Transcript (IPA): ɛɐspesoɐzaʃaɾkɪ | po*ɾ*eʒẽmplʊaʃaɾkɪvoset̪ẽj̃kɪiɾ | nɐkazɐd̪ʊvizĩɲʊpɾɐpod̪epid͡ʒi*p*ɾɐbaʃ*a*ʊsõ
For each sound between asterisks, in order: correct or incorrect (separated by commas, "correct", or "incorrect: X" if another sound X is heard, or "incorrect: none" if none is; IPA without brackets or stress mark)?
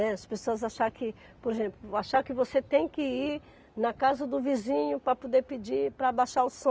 correct, correct, correct